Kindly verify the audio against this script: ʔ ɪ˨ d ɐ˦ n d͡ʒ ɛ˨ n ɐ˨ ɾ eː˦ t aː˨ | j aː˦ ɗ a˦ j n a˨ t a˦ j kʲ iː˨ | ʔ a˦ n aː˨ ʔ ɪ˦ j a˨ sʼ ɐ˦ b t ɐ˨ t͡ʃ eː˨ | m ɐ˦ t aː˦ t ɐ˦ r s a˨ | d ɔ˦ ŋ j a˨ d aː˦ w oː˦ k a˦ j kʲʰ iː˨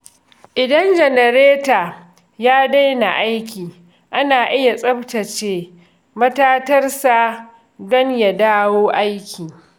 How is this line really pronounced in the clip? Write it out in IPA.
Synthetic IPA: ʔ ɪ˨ d ɐ˦ n d͡ʒ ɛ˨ n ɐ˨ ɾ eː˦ t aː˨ | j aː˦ d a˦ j n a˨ ʔ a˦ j kʲ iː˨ | ʔ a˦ n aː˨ ʔ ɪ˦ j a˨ sʼ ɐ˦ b t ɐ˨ t͡ʃ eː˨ | m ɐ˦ t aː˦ t ɐ˦ r s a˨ | d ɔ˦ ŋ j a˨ d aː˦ w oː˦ ʔ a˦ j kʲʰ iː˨